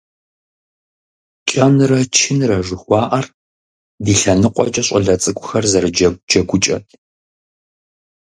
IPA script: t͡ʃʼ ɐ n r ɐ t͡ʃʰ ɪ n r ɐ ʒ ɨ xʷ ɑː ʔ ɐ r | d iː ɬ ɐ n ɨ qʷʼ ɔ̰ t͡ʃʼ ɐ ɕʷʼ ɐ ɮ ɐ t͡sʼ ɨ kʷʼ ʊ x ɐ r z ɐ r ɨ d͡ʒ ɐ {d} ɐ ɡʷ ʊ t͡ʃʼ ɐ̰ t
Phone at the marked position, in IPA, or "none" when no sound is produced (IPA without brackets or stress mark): d͡ʒ